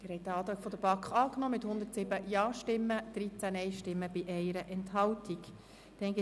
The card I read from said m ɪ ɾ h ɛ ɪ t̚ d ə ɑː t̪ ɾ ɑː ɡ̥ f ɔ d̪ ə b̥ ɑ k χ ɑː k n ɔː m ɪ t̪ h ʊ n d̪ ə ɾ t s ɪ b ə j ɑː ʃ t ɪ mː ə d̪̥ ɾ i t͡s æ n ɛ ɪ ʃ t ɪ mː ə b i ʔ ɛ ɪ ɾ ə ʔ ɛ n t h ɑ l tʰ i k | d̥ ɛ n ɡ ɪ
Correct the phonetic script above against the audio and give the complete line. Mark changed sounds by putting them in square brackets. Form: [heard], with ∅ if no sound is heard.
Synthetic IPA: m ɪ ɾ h ɛ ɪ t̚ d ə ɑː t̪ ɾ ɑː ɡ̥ f ɔ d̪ ə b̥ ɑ k χ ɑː k n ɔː m ɪ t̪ h ʊ n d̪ ə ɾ t s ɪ b ə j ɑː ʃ t ɪ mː ə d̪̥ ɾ i t͡s æ n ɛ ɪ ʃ t ɪ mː ə b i ʔ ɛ ɪ ɾ ə ʔ ɛ n t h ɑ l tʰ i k | d̥ ɛ n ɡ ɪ